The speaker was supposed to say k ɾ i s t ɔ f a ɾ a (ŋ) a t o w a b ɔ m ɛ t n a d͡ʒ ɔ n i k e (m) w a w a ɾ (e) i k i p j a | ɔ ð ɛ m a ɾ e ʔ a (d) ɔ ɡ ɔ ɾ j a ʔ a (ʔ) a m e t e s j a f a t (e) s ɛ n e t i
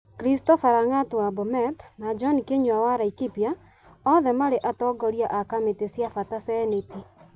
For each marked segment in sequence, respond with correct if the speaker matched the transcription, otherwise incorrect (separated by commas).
correct, incorrect, incorrect, incorrect, incorrect, incorrect